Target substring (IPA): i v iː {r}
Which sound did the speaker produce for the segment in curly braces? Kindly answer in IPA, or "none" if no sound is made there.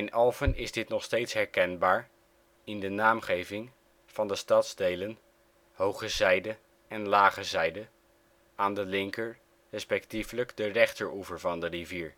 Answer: ɹ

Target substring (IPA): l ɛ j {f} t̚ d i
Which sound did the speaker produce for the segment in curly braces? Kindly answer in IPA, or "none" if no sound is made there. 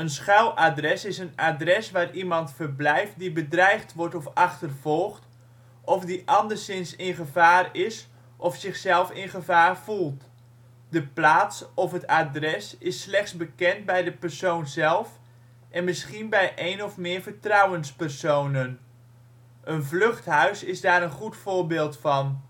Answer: f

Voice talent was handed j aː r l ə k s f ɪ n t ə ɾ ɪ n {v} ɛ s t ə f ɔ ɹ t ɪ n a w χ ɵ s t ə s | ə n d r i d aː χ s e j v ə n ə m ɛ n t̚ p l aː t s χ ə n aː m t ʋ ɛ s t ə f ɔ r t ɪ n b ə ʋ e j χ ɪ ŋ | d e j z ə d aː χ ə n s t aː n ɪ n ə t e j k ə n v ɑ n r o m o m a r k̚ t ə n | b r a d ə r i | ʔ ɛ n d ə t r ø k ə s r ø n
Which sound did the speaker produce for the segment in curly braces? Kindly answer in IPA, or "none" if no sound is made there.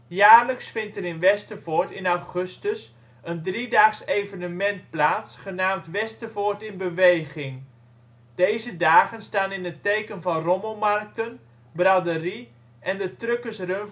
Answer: ʋ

